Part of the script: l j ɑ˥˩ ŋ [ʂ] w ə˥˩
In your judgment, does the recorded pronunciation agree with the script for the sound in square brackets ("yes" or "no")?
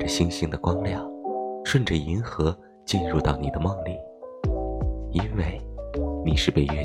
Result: yes